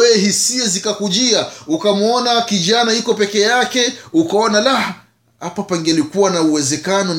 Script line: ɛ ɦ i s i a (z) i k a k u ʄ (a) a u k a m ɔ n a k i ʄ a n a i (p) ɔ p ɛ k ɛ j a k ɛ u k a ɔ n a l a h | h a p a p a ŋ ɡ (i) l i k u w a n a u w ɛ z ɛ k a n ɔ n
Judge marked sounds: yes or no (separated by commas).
yes, no, no, no